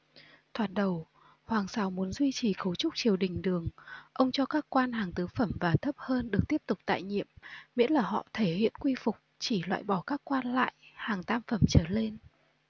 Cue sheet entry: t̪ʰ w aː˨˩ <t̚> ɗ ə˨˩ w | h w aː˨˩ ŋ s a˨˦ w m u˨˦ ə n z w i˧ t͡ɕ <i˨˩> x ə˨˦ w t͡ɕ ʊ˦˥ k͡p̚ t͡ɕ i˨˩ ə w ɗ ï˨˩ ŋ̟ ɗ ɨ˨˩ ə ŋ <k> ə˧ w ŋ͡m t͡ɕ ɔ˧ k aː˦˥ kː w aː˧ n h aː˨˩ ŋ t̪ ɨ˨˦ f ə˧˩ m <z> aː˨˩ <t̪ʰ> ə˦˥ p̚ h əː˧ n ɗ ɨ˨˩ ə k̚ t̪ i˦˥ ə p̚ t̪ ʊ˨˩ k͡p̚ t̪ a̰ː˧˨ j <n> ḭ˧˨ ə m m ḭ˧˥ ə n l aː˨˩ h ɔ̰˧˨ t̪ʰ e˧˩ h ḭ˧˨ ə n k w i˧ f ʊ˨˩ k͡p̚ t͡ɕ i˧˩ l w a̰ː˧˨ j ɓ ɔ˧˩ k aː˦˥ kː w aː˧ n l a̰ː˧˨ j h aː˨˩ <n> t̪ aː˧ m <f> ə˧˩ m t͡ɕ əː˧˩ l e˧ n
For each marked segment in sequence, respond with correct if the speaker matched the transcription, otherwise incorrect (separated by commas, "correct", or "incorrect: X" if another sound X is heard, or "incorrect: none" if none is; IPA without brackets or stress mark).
correct, correct, incorrect: ʔ, incorrect: v, correct, incorrect: ɲ, incorrect: ŋ, correct